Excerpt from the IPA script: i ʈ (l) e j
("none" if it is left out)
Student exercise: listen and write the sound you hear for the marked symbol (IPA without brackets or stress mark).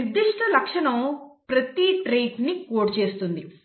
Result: ɾ